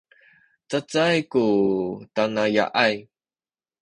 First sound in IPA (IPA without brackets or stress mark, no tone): t͡s